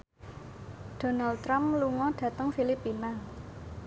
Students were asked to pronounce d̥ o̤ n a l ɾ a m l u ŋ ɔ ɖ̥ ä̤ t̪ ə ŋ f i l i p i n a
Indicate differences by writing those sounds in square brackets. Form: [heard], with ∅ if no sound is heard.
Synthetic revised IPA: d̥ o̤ n a l ɾ a m l u ŋ ɔ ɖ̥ ä̤ t̪ ə ŋ f i l i p i n a